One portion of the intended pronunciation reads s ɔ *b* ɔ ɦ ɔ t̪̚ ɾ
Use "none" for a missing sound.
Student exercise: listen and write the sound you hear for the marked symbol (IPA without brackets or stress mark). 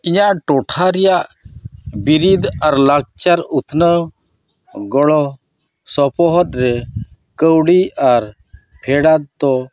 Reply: p